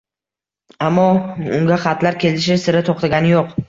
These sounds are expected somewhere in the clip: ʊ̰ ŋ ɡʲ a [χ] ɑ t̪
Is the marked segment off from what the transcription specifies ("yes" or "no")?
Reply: no